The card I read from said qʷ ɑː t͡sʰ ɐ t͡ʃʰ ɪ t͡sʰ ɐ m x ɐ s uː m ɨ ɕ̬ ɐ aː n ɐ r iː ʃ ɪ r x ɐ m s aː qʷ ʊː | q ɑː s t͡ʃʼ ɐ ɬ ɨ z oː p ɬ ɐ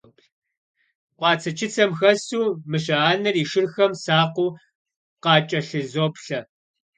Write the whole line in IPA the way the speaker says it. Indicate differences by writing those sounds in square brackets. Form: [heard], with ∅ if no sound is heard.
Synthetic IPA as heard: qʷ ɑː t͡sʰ ɐ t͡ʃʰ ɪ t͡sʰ ɐ m x ɐ s uː m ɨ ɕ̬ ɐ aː n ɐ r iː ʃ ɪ r x ɐ m s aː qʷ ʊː | q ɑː [∅] t͡ʃʼ ɐ ɬ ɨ z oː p ɬ ɐ